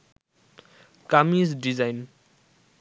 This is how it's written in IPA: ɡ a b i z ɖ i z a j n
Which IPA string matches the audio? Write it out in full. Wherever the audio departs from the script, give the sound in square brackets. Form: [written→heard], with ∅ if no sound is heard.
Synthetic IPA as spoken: [ɡ→k] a [b→m] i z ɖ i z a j n